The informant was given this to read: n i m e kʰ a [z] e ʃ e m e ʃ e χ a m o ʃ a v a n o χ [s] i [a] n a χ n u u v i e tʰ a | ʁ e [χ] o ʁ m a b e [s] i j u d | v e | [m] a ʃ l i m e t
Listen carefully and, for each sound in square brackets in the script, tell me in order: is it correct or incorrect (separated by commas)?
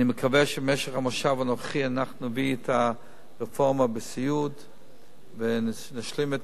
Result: incorrect, incorrect, correct, incorrect, correct, incorrect